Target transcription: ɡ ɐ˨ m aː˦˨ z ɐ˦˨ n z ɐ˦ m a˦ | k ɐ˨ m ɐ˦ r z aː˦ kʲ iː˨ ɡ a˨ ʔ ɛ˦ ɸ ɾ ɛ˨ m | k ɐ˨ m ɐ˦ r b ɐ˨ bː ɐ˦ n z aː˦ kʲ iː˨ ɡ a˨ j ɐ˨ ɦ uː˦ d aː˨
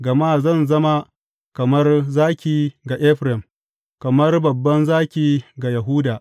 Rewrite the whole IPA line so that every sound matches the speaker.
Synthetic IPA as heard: ɡ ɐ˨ m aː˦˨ z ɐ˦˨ n z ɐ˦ m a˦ | k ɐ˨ m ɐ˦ r z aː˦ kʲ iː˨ ɡ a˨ ʔ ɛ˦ ɸ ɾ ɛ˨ m | k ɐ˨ m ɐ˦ r b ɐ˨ bː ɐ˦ n z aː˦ kʲ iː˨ ɡ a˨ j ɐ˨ ɦ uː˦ d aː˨